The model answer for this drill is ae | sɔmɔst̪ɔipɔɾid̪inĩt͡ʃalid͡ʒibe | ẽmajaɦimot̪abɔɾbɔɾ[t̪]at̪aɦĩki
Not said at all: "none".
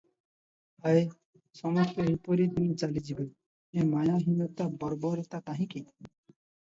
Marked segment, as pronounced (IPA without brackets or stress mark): t̪